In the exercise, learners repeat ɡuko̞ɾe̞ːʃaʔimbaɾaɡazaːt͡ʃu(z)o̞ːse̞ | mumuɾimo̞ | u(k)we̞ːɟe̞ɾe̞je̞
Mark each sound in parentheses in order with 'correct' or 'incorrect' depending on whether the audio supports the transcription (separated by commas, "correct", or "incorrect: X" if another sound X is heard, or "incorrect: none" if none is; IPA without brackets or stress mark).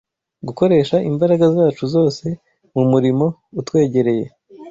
correct, incorrect: t